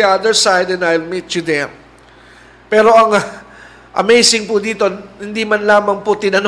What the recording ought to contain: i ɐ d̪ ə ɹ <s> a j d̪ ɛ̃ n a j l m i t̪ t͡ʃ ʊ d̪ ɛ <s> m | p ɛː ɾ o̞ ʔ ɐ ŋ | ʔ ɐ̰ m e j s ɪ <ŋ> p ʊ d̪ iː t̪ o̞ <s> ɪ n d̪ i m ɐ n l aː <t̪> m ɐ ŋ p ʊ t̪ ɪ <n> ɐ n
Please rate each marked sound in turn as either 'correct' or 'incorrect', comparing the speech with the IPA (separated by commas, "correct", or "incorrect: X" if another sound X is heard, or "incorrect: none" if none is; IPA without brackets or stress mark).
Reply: correct, incorrect: none, correct, incorrect: h, incorrect: none, correct